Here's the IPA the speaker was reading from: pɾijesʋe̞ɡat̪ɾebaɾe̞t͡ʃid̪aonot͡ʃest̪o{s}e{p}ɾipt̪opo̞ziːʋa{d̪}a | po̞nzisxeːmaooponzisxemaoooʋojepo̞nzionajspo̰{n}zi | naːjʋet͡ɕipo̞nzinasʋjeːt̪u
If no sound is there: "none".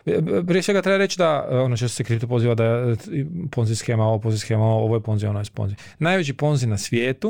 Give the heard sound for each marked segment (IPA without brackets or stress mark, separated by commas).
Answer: s, k, d̪, n